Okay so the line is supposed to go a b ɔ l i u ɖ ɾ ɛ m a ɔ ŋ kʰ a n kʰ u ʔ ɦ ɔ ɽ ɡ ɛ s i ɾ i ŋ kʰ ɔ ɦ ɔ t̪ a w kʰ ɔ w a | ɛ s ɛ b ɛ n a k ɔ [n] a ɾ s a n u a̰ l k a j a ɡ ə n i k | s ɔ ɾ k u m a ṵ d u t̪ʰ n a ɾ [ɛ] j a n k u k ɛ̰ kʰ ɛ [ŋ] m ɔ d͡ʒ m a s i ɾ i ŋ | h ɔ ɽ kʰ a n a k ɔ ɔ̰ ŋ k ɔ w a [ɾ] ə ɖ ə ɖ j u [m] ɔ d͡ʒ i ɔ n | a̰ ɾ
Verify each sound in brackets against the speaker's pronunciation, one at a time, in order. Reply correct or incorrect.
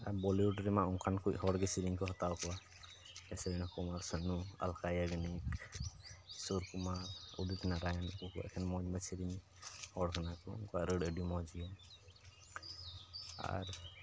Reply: incorrect, incorrect, incorrect, correct, correct

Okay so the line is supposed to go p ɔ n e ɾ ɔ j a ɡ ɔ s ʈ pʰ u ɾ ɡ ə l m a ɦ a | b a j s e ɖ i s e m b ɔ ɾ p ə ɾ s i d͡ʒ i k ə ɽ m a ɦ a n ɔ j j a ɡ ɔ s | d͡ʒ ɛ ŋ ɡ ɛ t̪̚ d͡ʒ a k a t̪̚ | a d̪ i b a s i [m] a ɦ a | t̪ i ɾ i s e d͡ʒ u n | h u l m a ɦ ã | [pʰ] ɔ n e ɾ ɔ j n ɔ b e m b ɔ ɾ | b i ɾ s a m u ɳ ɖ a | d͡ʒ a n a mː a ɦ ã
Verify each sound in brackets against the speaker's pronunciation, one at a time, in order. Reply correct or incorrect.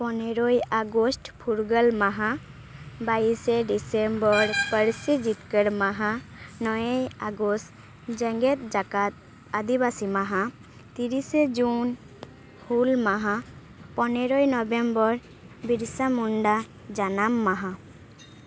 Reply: correct, incorrect

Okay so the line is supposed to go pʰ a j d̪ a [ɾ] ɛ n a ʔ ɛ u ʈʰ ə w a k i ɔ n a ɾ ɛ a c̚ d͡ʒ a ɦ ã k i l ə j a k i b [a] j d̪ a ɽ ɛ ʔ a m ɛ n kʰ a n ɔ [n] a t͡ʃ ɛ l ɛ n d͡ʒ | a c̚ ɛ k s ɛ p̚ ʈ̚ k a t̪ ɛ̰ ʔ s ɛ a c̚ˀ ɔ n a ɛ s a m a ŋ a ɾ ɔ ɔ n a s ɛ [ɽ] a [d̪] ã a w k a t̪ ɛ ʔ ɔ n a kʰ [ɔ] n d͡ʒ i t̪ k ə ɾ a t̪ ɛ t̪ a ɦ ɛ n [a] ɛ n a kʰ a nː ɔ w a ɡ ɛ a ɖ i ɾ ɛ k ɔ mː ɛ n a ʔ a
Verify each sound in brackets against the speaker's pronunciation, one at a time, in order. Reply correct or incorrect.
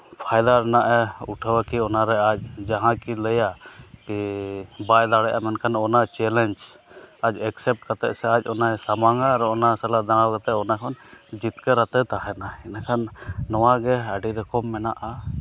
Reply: correct, correct, correct, incorrect, correct, correct, correct

